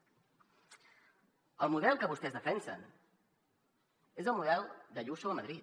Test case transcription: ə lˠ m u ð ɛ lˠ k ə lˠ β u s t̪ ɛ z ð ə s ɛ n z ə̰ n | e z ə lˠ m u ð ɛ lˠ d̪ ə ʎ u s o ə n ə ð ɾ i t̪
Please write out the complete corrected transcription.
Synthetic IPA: ə lˠ m u ð ɛ lˠ k ə β u s t̪ ɛ z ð ə f ɛ n s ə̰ n | e z ə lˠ m u ð ɛ lˠ d̪ ə ʎ u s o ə m ə ð ɾ i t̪